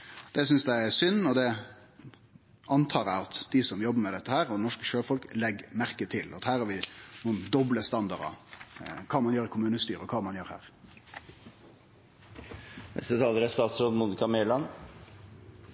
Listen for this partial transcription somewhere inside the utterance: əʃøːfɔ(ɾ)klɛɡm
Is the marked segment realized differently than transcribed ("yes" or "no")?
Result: yes